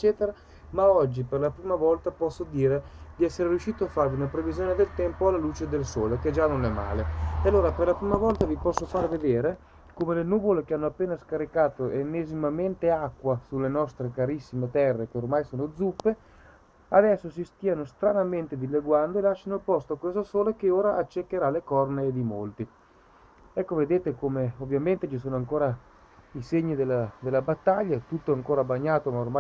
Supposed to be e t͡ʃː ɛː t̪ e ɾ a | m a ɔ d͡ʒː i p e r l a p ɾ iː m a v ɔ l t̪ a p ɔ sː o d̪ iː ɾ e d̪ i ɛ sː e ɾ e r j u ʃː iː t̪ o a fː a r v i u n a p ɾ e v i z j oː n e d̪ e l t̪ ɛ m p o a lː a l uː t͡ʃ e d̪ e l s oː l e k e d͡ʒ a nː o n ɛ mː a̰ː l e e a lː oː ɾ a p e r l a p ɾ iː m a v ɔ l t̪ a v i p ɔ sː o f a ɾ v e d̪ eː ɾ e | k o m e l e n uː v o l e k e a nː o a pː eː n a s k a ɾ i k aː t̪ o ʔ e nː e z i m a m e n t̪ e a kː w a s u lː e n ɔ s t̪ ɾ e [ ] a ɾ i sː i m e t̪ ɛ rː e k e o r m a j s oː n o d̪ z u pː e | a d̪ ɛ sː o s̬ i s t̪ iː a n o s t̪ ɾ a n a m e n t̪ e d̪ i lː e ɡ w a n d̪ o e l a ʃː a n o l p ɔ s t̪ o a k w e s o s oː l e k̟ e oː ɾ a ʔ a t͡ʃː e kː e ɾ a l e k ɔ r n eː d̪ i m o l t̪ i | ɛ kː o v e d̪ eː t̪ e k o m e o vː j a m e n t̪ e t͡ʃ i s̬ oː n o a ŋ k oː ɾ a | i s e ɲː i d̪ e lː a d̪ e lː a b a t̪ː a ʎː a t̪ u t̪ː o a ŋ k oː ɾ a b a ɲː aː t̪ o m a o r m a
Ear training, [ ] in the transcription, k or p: k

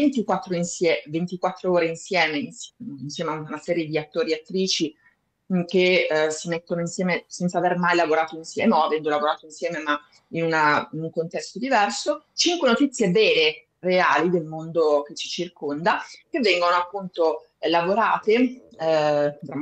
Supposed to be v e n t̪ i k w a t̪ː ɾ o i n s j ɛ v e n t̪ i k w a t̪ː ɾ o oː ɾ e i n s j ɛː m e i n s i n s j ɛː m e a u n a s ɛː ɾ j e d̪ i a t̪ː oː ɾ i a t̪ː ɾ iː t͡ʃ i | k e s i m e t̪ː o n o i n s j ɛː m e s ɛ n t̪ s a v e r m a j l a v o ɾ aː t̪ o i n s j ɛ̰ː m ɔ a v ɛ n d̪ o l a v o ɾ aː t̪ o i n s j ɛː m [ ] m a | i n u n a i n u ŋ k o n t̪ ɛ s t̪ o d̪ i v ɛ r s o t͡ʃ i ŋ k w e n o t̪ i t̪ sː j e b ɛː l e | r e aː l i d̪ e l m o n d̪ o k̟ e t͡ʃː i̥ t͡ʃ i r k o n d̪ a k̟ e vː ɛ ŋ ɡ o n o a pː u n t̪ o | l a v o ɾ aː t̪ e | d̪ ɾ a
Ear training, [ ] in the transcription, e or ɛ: e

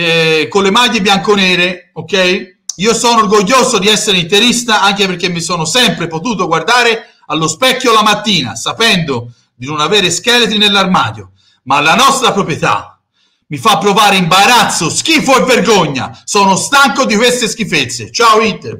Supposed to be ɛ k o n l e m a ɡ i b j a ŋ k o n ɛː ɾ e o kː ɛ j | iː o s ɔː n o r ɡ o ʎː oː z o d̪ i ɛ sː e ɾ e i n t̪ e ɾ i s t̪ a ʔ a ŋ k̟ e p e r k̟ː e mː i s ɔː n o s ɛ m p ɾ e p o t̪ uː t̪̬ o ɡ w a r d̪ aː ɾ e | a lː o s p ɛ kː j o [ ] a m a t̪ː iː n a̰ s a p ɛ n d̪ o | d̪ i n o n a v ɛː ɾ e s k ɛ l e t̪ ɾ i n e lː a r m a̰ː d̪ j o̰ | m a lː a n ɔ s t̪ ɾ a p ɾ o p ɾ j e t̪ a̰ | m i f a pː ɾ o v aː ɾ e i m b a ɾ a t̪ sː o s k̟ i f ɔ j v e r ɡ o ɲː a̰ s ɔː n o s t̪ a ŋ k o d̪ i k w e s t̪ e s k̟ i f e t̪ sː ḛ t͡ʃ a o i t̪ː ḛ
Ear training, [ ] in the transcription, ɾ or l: l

